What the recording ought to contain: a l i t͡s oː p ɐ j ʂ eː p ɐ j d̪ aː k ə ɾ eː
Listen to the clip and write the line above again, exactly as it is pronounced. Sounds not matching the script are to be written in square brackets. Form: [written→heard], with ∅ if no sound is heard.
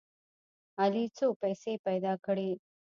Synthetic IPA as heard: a l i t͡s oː p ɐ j [ʂ→s] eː p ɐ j d̪ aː k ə [ɾ→ɽ] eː